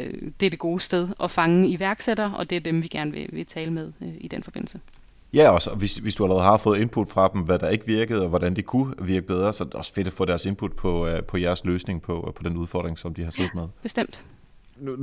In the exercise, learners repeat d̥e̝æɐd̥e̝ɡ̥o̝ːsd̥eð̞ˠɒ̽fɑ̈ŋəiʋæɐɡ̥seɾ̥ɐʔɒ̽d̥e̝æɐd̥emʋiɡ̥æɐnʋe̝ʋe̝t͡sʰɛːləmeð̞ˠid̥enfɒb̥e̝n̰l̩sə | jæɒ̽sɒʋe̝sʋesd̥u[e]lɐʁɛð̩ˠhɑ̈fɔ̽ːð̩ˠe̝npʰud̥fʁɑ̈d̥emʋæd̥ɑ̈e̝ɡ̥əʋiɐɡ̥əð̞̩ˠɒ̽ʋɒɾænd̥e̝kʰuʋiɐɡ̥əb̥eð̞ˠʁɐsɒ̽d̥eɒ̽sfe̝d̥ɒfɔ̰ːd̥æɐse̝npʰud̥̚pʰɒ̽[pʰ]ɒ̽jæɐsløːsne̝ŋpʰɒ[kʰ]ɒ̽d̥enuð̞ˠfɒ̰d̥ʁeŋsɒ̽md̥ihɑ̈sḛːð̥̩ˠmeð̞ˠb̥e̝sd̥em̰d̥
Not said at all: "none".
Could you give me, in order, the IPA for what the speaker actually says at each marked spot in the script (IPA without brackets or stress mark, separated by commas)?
æ, pʰ, pʰ